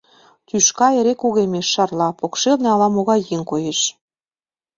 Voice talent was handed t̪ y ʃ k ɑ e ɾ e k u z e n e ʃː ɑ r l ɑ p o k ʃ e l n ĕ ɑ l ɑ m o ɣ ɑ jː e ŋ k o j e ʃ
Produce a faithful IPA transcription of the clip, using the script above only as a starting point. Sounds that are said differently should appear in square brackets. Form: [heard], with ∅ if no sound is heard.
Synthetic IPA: t̪ y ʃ k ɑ e ɾ e k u [ɣ] e [m] e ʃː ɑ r l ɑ p o k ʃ e l n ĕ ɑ l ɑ m o ɣ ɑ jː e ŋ k o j e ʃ